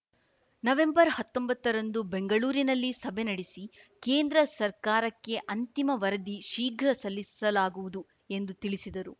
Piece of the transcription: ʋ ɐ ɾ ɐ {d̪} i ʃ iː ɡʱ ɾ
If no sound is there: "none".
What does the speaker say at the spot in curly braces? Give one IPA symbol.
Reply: d̪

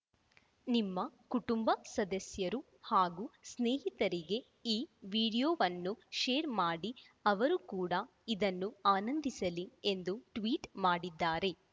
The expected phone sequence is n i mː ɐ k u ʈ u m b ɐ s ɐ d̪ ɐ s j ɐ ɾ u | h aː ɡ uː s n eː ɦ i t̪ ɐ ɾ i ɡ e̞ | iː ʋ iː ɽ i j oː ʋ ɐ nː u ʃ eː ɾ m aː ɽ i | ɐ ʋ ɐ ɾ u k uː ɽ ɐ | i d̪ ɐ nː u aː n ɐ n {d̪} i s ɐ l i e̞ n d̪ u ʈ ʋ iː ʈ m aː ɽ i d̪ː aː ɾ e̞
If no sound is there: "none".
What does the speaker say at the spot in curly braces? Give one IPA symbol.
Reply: d̪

